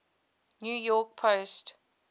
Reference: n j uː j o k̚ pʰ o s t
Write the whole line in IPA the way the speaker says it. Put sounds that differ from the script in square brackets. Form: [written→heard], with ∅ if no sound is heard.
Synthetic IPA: n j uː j [o→ɔ] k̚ pʰ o s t

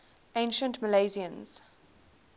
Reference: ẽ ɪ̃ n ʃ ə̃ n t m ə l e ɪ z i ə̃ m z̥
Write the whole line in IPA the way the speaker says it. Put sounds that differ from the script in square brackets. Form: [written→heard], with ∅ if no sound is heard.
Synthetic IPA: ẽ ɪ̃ n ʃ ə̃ n t m ə l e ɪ z i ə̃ [m→n] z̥

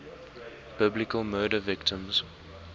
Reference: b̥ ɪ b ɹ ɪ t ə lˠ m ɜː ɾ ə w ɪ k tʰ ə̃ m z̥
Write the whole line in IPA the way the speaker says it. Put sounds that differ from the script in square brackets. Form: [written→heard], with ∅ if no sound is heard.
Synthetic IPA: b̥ ɪ b [ɹ→l] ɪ [t→k] ə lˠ m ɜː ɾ ə [w→v] ɪ k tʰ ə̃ m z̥

